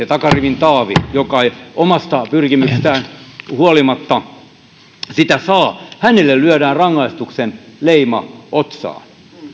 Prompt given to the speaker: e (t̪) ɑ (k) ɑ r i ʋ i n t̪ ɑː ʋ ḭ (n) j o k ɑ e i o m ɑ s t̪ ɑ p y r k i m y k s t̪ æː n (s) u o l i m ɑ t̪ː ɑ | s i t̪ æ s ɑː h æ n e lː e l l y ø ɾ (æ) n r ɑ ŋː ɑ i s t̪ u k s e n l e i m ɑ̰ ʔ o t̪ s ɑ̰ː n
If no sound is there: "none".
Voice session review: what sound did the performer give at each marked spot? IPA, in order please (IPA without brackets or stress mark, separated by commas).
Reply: t̪, k, none, h, æː